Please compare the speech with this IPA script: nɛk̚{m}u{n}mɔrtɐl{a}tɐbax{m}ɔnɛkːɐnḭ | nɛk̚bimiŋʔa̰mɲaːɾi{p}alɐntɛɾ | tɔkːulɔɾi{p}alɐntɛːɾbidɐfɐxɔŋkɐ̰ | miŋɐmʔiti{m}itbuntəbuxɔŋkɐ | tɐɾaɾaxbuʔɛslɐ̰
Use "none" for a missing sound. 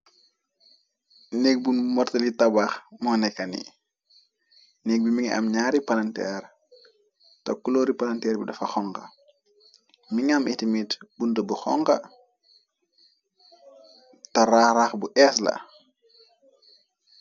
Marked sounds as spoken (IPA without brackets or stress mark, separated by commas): b, n, i, m, p, p, m